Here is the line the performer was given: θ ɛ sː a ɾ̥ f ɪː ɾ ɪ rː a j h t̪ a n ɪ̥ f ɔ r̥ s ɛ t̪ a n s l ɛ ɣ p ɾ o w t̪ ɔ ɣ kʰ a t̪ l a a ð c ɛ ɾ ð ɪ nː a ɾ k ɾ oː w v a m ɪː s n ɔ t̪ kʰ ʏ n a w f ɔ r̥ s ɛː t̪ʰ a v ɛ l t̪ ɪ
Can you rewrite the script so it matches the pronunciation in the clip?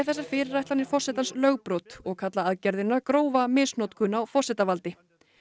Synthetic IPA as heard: θ ɛ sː a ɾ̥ f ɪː ɾ ɪ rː a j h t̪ a n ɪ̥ f ɔ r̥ s ɛ t̪ a n s l œ ɣ p ɾ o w t̪ ɔ ɣ kʰ a t̪ l a a ð c ɛ ɾ ð ɪ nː a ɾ k ɾ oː w v a m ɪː s n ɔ t̪ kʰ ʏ n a w f ɔ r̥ s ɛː t̪ a v a l t̪ ɪ